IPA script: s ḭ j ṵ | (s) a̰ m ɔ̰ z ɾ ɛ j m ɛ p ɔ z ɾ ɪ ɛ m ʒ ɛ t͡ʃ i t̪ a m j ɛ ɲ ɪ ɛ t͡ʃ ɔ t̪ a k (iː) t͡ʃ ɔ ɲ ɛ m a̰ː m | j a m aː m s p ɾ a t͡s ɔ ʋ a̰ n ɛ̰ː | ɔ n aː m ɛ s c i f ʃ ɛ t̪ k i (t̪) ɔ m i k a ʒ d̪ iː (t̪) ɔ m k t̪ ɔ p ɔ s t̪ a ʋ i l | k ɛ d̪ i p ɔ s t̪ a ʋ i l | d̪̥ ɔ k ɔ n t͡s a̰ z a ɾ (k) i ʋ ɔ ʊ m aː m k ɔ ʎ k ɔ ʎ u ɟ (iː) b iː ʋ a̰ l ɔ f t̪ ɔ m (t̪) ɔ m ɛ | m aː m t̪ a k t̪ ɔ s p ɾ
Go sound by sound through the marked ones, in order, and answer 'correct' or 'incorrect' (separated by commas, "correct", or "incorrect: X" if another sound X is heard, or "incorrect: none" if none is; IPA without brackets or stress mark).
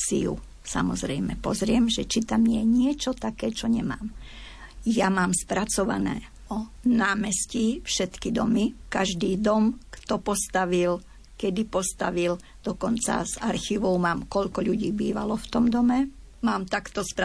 correct, incorrect: ɛː, incorrect: d̪, incorrect: d̪, incorrect: x, correct, incorrect: d̪